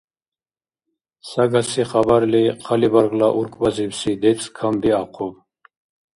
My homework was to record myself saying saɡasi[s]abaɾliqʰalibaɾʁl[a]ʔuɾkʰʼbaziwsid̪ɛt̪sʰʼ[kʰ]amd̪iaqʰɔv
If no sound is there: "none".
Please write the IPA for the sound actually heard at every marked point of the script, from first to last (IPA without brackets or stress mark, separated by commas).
χ, a, kʰ